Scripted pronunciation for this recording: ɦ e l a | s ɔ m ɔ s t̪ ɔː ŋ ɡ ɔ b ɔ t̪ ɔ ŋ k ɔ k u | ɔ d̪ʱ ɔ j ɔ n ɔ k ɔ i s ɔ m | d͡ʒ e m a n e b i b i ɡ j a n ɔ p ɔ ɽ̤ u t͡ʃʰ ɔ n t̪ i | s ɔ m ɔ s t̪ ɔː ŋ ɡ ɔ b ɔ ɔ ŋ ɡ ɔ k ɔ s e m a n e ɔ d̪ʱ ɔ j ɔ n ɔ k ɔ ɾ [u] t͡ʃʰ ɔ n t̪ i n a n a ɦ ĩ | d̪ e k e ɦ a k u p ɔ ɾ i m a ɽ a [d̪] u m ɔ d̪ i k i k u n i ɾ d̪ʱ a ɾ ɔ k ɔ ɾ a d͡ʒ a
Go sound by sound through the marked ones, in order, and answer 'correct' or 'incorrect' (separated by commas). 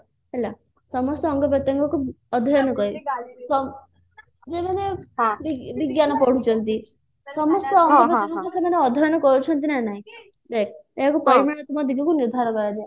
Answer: correct, incorrect